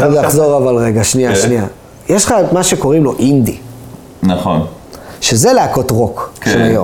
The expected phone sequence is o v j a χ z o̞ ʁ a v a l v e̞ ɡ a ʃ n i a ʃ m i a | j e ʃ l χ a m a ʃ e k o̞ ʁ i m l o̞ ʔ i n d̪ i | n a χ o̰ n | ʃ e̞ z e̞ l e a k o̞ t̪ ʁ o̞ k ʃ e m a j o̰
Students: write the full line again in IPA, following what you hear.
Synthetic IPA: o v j a χ z o̞ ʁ a v a l ʁ e̞ ɡ a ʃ n i a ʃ n i a | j e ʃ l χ a m a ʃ e k o̞ ʁ i m l o̞ ʔ i n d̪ i | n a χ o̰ n | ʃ e̞ z e̞ l e a k o̞ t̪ ʁ o̞ k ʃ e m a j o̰